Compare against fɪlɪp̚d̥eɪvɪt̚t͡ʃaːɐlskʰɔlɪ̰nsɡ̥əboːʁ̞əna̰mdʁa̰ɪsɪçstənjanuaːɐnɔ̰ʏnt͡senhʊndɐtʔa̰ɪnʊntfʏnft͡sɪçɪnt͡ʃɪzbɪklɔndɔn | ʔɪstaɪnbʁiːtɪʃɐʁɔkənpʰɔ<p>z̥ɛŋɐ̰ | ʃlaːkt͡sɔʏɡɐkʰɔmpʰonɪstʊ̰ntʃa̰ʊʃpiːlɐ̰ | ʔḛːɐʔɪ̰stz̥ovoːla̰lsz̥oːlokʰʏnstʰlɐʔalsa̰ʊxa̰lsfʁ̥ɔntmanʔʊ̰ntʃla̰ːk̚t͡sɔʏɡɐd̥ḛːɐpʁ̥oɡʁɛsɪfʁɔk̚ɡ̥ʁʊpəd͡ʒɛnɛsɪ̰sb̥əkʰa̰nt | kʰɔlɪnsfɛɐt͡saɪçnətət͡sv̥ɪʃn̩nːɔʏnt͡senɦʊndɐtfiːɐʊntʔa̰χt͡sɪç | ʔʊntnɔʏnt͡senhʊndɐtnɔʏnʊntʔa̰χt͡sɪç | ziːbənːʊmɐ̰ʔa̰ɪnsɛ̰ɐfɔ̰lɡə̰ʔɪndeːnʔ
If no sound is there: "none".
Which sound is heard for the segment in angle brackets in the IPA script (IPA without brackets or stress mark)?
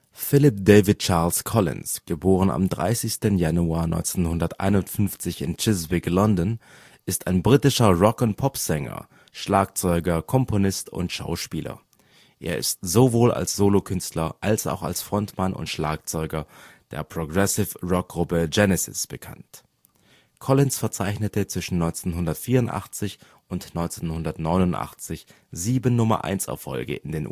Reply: p